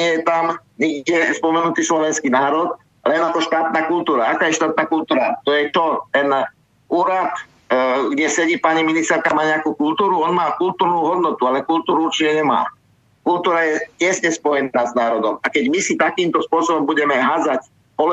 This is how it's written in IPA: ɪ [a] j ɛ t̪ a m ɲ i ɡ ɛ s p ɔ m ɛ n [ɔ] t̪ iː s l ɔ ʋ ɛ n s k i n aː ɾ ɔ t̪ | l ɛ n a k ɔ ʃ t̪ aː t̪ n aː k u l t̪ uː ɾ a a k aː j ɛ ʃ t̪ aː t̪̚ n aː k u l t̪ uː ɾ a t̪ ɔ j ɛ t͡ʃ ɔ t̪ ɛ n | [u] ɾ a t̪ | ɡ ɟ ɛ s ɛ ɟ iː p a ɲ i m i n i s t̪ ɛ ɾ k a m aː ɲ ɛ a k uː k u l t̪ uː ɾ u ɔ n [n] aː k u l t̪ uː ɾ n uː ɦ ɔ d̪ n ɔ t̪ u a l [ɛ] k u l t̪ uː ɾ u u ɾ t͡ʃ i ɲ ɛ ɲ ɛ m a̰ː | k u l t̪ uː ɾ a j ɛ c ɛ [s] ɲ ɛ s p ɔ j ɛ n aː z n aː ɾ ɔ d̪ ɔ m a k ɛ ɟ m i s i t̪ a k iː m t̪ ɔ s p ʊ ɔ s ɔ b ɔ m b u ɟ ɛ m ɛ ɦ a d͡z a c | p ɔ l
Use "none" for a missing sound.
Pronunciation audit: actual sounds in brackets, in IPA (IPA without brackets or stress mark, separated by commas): ɛ, u, uː, m, ɛ, s